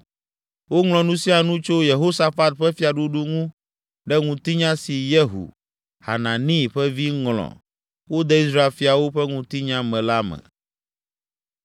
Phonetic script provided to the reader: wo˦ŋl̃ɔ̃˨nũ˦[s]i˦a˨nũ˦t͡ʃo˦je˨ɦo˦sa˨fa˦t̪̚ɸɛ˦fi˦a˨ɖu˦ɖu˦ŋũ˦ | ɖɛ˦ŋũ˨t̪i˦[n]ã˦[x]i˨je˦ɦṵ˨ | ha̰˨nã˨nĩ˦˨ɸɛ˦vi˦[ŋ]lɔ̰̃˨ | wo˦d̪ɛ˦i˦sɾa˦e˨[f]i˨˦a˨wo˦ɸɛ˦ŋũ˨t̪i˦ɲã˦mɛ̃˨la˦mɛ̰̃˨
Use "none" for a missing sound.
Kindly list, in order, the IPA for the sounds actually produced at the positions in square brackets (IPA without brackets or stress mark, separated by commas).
s, ɲ, s, ŋ, f